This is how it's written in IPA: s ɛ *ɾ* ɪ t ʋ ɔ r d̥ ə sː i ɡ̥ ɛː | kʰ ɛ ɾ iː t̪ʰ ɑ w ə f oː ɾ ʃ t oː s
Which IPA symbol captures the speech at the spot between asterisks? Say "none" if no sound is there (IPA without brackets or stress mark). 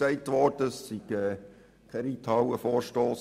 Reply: none